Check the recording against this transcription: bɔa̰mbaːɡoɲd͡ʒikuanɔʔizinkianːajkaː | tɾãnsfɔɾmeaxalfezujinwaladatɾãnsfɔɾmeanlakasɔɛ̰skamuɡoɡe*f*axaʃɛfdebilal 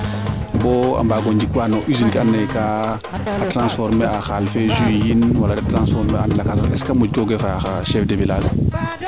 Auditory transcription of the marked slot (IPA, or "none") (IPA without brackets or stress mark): f